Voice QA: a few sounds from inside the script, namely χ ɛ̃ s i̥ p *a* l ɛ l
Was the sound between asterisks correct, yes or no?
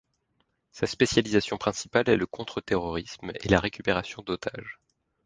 yes